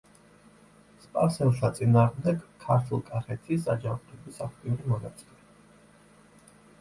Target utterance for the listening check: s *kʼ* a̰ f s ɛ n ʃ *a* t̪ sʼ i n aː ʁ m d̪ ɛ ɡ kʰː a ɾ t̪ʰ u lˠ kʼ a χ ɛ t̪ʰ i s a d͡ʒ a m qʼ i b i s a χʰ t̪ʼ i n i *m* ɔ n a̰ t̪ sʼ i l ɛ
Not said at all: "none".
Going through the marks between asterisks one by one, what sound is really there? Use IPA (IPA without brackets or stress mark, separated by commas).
pʼ, a, m